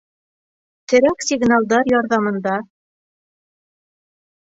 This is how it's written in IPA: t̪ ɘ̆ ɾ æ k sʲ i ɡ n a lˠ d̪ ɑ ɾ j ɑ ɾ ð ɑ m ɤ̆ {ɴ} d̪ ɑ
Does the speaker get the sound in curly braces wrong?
yes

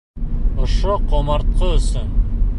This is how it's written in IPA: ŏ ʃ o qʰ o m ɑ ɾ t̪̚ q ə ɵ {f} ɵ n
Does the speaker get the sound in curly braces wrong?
yes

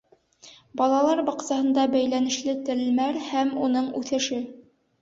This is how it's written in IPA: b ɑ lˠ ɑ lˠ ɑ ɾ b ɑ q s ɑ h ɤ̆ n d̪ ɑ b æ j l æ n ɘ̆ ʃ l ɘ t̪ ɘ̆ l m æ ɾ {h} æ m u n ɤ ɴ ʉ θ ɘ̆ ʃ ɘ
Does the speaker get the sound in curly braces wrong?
no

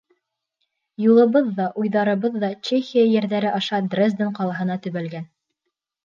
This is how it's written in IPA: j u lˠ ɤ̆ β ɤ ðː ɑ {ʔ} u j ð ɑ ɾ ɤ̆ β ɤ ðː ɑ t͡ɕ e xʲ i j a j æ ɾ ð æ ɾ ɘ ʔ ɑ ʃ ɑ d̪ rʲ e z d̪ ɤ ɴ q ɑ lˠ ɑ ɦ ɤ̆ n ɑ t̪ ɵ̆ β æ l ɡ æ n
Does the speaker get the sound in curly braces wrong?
no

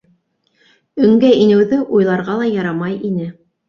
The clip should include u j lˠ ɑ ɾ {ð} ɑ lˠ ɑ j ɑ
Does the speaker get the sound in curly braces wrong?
yes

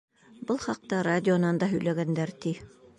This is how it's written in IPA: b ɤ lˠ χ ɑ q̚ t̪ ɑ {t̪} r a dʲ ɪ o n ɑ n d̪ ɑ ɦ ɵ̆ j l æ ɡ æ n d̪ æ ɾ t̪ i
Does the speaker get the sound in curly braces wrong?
yes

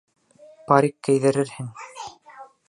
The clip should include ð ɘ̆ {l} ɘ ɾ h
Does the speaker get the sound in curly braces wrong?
yes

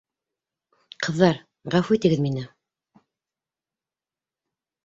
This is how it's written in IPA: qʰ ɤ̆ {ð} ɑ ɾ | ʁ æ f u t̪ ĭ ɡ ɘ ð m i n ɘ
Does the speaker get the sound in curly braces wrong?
yes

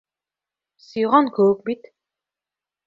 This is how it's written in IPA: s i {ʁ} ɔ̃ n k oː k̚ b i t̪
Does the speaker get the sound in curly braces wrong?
no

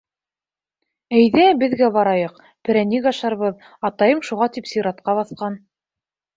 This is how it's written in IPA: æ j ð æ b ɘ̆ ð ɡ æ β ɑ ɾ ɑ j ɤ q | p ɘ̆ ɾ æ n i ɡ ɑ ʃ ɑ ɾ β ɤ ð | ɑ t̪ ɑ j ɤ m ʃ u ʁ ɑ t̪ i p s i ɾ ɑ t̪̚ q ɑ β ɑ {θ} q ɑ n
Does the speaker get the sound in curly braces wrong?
no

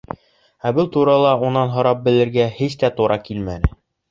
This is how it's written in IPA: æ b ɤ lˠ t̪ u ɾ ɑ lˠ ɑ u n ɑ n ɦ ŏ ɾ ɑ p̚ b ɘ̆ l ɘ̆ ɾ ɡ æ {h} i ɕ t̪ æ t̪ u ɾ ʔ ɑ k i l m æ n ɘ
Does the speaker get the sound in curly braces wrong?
no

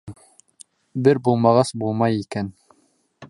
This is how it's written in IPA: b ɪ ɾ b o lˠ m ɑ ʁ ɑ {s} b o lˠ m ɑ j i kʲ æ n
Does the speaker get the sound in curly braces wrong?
no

